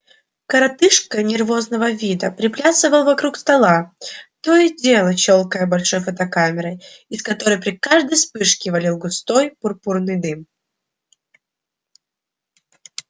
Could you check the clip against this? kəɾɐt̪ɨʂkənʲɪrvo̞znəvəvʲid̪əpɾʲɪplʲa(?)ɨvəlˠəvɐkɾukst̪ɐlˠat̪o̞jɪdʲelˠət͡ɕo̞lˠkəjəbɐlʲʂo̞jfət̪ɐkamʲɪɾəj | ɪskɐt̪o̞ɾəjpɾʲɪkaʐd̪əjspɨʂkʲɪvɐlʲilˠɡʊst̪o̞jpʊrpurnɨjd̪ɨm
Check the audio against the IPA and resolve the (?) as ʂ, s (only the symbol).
s